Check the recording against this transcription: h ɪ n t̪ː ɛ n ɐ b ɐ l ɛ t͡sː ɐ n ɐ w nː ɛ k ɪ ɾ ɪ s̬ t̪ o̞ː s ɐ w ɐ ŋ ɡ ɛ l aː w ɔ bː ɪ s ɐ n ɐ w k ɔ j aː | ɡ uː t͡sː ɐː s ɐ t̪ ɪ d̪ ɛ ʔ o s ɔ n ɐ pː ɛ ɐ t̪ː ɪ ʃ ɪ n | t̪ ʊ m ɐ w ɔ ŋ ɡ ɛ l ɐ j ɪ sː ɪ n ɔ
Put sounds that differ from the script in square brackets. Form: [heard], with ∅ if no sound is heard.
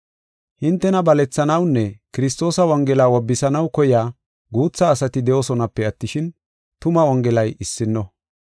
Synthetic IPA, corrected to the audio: h ɪ n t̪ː ɛ n ɐ b ɐ l ɛ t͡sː ɐ n ɐ w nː ɛ k ɪ ɾ ɪ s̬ t̪ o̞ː s ɐ w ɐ ŋ ɡ ɛ l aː w ɔ bː ɪ s ɐ n ɐ w k ɔ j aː | ɡ uː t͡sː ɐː s ɐ t̪ ɪ d̪ ɛ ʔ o s ɔ n ɐ pː ɛ ɐ t̪ː ɪ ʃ ɪ n | t̪ ʊ m ɐ w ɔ ŋ ɡ ɛ l ɐ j ɪ sː ɪ [nː] ɔ